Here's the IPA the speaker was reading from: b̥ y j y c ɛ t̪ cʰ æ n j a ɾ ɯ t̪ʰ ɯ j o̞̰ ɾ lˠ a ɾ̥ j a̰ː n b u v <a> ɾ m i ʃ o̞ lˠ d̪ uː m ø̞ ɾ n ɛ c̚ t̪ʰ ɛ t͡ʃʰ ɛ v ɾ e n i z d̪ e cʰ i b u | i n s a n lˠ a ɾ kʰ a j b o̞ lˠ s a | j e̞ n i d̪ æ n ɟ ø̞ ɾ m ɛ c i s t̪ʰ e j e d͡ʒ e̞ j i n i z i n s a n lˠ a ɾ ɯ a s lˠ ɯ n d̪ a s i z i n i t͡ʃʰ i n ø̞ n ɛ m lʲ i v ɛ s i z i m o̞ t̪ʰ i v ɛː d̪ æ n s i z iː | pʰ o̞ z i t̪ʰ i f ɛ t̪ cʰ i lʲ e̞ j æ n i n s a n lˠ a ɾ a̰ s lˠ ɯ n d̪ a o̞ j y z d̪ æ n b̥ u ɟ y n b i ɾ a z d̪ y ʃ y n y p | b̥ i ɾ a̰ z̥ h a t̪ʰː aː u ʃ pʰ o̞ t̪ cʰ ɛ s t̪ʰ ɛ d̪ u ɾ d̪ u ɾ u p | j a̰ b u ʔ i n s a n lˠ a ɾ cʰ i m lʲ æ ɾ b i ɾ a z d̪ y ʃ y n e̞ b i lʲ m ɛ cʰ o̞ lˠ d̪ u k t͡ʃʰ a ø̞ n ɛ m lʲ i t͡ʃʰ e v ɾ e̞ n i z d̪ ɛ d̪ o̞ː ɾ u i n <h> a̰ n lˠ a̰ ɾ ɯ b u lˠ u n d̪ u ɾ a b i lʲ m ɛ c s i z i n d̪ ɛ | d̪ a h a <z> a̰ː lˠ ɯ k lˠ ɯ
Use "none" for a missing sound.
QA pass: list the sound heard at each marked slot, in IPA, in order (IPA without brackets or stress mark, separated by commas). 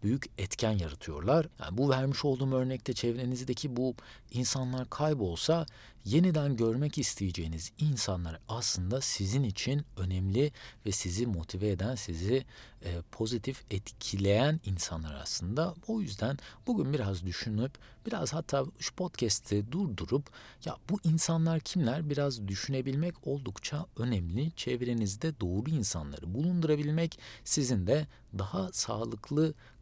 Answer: æ, s, s